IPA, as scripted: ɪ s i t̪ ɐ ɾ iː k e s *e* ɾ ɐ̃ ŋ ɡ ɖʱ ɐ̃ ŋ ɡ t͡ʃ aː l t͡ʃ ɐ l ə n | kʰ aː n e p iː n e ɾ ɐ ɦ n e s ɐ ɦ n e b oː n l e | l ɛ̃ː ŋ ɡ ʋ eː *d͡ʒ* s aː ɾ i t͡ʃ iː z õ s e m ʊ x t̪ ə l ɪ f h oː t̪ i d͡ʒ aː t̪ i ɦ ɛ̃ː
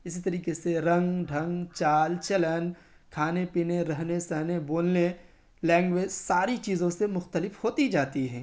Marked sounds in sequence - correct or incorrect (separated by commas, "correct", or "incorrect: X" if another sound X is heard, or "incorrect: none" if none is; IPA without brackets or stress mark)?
correct, correct